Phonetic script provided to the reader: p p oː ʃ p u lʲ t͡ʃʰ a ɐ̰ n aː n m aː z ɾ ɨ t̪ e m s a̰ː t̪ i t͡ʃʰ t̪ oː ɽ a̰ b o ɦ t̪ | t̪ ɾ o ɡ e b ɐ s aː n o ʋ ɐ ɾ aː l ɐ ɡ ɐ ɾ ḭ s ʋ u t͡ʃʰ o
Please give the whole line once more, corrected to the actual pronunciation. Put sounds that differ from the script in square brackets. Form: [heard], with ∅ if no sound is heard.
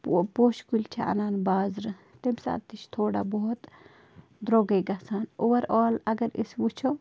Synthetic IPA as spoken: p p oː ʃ [k] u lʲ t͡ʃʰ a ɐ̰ n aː n [b] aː z ɾ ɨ t̪ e m s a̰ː t̪ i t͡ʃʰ [t̪ʰ] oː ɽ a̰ b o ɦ t̪ | [d̪] ɾ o ɡ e [ɡ] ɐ s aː n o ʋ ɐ ɾ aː l ɐ ɡ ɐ ɾ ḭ s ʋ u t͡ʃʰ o